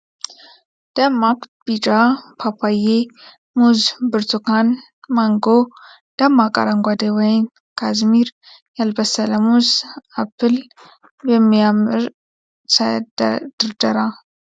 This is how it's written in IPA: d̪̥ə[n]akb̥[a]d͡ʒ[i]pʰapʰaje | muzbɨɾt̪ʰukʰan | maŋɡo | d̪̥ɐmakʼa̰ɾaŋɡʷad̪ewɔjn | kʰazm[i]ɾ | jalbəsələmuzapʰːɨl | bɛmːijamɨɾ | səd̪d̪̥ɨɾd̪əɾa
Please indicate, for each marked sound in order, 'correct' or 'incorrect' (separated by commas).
incorrect, incorrect, incorrect, correct